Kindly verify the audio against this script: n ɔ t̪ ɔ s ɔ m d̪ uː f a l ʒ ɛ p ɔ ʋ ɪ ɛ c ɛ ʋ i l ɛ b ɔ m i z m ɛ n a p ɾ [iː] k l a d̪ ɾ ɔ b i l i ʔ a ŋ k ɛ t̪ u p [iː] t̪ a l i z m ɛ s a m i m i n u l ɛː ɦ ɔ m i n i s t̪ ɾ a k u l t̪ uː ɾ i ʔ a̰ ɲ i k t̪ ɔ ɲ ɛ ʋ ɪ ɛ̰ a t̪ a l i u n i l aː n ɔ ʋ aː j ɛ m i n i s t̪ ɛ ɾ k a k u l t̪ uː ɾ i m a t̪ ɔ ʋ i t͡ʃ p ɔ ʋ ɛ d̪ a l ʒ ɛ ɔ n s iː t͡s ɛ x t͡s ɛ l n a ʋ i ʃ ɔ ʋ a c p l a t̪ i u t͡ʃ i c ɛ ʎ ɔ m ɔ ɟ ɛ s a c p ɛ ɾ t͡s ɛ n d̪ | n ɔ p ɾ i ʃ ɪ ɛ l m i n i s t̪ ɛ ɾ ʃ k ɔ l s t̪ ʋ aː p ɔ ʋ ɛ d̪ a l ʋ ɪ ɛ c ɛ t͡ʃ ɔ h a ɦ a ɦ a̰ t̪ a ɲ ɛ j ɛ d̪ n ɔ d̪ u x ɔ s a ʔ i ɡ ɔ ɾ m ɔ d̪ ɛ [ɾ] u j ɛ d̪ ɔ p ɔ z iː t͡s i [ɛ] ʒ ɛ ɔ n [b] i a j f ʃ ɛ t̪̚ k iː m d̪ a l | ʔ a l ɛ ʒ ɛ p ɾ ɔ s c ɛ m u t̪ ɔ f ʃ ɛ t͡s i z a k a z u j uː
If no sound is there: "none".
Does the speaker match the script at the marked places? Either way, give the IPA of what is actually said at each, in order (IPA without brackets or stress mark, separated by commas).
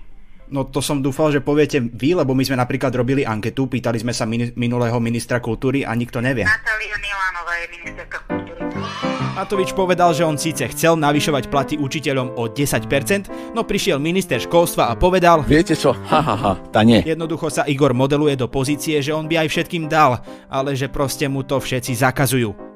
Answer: iː, iː, l, ɛ, b